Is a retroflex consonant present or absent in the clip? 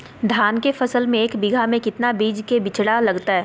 present